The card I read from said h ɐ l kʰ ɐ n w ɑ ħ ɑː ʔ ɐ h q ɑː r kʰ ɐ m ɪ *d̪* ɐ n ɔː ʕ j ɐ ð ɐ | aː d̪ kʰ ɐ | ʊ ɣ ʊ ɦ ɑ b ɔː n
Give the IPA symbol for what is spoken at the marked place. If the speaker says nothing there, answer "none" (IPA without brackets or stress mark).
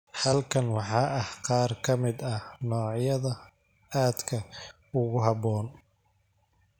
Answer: d̪